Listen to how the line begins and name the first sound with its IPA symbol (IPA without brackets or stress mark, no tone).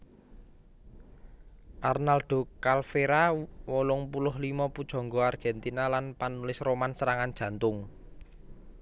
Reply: ʔ